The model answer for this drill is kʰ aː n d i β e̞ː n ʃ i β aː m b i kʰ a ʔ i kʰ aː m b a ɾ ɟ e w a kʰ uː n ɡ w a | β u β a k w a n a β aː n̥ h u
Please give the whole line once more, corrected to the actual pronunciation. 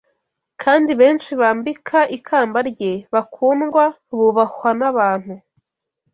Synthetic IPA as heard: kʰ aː n d i β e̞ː n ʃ i β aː m b i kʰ a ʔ i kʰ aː m b a ɾ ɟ e β a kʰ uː n ɡ w a | β u β a k w a n a β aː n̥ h u